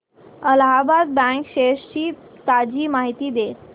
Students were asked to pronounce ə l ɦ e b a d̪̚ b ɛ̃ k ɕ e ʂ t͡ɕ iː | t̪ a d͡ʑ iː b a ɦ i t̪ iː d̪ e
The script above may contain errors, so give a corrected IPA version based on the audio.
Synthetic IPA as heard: ə l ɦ a b a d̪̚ b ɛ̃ k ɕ e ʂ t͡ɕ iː | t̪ a d͡ʑ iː m a ɦ i t̪ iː d̪ e